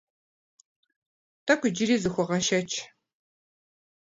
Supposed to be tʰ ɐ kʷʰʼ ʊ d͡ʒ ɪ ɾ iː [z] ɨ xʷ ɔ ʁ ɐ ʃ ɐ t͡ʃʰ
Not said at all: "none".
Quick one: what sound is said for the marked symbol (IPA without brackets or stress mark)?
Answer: z